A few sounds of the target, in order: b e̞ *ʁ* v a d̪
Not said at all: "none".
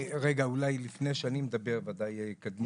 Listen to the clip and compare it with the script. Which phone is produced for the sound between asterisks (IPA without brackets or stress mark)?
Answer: ʁ